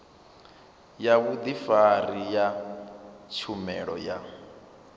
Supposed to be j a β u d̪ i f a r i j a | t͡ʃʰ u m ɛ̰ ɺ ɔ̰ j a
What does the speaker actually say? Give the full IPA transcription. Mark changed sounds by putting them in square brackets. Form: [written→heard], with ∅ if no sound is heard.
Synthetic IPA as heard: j a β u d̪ i f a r i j a | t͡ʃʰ u m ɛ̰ ɺ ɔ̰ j a